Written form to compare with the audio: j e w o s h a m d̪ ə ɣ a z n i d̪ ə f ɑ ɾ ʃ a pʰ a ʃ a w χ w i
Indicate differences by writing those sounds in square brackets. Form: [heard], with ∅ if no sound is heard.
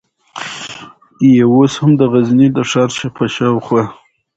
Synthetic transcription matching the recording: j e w o s h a m d̪ ə ɣ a z n i d̪ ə [ʂ] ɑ ɾ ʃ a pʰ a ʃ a w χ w [a]